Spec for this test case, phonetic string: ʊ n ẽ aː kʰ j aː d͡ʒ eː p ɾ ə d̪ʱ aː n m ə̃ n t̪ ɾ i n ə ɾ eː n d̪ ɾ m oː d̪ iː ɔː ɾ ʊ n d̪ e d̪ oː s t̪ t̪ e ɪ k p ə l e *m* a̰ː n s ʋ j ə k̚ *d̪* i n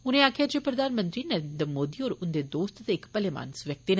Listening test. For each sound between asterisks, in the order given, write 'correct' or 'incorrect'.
correct, incorrect: t̪

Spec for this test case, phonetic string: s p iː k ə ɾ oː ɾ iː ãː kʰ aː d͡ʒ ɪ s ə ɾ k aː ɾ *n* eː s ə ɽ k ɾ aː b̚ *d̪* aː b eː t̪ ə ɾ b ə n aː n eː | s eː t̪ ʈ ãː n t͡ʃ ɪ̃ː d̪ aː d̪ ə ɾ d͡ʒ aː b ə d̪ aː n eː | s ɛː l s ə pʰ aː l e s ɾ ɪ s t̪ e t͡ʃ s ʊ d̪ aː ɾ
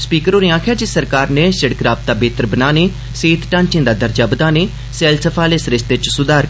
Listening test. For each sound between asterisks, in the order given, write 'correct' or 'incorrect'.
correct, incorrect: t̪

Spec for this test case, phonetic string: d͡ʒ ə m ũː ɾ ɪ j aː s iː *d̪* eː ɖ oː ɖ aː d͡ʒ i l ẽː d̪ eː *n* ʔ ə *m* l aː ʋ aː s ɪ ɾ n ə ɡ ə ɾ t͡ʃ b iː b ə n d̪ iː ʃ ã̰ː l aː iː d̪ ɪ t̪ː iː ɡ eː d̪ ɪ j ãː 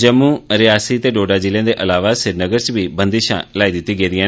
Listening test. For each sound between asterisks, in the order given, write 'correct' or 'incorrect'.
incorrect: t̪, incorrect: none, incorrect: none

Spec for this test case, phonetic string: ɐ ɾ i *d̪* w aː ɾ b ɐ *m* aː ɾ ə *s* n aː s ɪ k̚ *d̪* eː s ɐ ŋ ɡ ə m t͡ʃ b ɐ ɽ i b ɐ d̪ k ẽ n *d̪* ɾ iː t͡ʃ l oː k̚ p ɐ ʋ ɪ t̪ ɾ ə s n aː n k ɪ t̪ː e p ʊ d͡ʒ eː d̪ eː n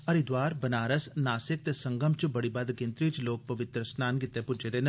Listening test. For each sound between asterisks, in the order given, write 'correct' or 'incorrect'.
correct, incorrect: n, correct, incorrect: t̪, incorrect: t̪

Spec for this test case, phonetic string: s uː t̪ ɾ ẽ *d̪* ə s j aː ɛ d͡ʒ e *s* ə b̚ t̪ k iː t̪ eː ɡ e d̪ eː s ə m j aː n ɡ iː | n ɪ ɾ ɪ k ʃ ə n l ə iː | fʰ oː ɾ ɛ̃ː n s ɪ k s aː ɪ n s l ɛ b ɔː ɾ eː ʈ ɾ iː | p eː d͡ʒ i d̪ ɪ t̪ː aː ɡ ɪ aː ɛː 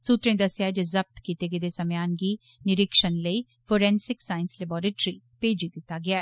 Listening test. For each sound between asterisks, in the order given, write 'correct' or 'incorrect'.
correct, incorrect: z

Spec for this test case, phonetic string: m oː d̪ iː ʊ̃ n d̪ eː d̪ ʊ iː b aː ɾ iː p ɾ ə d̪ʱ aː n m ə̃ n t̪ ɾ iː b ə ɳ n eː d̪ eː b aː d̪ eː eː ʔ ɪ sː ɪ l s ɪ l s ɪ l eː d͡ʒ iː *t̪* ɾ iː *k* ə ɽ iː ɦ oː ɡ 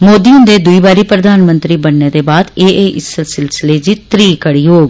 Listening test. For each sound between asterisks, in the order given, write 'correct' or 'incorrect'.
correct, correct

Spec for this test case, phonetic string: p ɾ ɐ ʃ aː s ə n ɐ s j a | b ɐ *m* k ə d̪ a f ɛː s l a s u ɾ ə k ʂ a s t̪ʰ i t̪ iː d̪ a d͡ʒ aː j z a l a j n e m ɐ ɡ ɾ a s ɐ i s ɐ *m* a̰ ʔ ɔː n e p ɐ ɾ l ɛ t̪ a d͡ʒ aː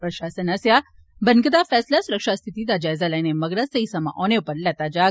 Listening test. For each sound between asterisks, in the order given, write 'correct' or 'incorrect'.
incorrect: n, correct

